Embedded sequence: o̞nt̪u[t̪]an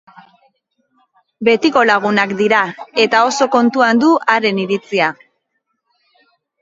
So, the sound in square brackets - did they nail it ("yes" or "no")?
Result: no